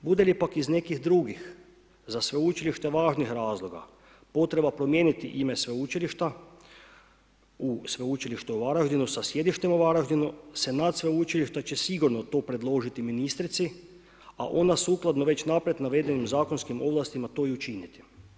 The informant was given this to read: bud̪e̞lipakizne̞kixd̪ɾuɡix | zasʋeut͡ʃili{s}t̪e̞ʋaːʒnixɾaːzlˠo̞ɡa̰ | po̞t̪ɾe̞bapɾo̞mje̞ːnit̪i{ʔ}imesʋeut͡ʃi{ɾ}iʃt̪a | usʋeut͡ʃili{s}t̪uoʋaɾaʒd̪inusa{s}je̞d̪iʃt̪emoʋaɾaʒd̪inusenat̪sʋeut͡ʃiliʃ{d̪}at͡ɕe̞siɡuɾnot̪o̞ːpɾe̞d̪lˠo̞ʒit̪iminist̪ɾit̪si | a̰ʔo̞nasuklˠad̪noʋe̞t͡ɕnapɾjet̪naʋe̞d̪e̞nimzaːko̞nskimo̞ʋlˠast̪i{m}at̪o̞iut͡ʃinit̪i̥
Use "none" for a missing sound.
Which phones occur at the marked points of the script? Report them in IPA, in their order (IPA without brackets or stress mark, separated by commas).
ʃ, ʔ, l, ʃ, s, t̪, m